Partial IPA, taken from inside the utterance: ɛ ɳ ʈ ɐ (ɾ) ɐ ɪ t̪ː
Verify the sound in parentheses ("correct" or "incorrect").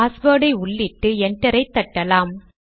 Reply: correct